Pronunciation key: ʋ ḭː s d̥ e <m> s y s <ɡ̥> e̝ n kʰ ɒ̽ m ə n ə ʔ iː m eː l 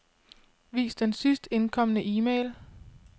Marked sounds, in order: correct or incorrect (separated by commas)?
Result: incorrect, incorrect